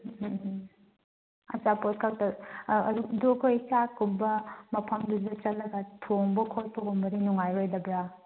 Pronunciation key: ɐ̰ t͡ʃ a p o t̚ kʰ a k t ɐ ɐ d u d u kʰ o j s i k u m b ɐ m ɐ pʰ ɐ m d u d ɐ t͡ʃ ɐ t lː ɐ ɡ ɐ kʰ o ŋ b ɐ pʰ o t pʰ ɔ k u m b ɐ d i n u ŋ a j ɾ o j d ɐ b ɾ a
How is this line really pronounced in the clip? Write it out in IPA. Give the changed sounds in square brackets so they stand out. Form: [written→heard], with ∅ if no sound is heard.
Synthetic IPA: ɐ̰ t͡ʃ a p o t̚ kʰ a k t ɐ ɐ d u d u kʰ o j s [i→a] k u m b ɐ m ɐ pʰ ɐ m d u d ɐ t͡ʃ ɐ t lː ɐ ɡ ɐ [kʰ→tʰ] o ŋ b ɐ [pʰ→kʰ] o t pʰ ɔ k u m b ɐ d i n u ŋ a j ɾ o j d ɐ b ɾ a